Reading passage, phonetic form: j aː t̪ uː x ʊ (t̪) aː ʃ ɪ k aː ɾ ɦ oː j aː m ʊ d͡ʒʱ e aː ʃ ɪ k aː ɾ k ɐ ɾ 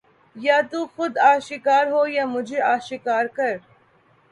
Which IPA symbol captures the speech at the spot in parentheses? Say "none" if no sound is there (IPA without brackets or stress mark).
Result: d̪